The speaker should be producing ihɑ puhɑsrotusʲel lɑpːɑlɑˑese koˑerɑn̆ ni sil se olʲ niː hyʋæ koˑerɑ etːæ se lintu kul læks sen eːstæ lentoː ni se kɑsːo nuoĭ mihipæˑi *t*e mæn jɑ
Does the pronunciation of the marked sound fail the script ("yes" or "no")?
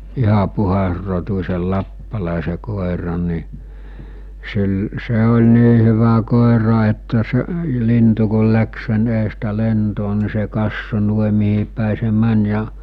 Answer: yes